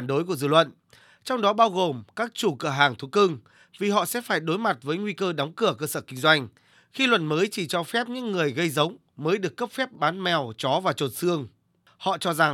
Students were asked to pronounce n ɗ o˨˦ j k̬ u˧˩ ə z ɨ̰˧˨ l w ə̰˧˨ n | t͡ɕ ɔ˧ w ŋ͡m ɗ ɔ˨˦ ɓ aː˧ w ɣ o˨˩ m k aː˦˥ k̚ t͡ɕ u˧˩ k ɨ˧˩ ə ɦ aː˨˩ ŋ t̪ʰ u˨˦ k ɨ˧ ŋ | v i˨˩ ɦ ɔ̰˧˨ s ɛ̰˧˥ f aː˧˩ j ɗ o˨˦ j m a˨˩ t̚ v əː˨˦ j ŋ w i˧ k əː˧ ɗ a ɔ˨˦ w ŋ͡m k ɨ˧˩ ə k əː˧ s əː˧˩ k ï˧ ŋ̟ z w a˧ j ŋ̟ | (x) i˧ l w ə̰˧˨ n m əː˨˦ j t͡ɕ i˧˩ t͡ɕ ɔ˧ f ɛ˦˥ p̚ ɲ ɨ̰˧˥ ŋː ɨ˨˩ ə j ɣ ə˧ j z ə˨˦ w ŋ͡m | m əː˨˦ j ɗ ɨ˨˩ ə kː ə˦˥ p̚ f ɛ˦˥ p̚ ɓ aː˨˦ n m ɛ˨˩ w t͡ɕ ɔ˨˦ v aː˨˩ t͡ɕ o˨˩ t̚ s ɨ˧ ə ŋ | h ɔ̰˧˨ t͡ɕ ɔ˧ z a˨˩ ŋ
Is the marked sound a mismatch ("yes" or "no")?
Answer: no